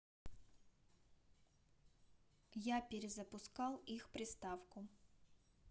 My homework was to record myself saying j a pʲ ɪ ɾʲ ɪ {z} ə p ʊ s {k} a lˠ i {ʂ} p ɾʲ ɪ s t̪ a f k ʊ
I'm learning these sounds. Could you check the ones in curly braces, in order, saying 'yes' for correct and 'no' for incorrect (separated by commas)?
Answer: yes, yes, no